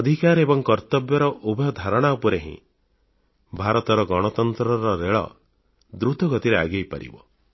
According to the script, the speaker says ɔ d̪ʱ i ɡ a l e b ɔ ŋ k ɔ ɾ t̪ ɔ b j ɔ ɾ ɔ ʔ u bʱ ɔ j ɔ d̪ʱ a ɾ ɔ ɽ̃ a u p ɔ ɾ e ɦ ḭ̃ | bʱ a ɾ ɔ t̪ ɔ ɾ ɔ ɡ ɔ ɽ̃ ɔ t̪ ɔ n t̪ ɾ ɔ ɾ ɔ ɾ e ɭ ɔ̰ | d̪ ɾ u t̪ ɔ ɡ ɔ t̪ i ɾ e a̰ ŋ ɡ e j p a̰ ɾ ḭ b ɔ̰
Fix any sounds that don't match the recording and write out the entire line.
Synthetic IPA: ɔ d̪ʱ i k a ɾ e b ɔ ŋ k ɔ ɾ t̪ ɔ b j ɔ ɾ ɔ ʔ u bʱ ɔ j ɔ d̪ʱ a ɾ ɔ ɽ̃ a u p ɔ ɾ e ɦ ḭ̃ | bʱ a ɾ ɔ t̪ ɔ ɾ ɔ ɡ ɔ ɽ̃ ɔ t̪ ɔ n t̪ ɾ ɔ ɾ ɔ ɾ e ɭ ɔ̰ | d̪ ɾ u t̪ ɔ ɡ ɔ t̪ i ɾ e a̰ ɡ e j p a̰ ɾ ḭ b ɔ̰